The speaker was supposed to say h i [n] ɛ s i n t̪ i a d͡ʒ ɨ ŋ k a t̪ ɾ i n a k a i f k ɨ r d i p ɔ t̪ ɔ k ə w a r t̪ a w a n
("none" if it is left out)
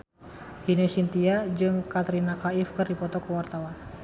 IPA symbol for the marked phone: n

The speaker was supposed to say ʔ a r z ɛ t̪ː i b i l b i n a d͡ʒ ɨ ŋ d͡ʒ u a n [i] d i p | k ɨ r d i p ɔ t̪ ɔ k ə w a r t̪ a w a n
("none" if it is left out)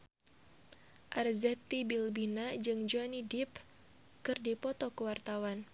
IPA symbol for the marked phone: i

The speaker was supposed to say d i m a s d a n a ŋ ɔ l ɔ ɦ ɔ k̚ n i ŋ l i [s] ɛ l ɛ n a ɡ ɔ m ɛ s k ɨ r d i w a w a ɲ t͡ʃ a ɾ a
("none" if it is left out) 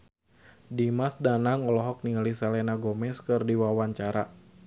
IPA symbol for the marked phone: s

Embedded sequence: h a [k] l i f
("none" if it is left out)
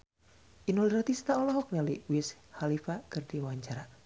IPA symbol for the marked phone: none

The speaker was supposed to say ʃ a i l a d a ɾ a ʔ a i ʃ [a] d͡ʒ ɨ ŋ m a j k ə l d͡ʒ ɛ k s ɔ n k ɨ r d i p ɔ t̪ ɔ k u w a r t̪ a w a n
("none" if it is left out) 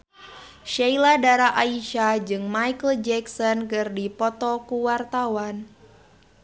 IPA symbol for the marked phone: a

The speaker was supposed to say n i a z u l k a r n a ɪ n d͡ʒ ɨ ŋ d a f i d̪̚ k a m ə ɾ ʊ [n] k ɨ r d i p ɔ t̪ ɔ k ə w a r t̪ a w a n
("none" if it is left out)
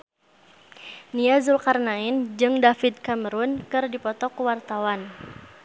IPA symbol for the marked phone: n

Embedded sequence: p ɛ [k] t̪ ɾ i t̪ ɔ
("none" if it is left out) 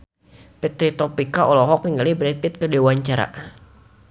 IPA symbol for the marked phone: none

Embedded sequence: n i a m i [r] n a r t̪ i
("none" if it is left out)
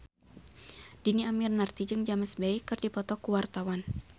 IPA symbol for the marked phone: r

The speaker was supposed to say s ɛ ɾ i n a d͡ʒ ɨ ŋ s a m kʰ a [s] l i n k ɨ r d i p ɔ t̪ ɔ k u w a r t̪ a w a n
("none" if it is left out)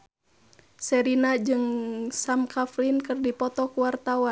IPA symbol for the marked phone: f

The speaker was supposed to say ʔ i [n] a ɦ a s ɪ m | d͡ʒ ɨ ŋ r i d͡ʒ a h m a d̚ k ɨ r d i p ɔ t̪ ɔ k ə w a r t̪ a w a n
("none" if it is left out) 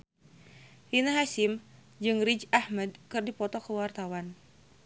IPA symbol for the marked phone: n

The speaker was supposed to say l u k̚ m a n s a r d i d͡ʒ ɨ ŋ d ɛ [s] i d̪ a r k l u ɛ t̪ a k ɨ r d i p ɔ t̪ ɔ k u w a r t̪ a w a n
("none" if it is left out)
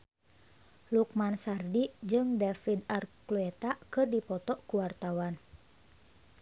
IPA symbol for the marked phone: f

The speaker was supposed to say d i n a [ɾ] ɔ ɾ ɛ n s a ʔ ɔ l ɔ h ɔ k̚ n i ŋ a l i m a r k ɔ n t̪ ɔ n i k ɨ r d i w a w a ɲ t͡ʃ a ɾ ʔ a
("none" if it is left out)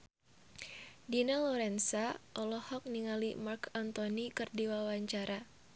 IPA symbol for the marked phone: l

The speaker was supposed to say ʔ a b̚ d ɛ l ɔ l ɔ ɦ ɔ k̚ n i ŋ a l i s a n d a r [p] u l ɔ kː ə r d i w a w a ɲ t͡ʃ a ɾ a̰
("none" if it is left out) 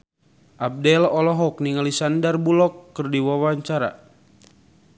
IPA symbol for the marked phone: b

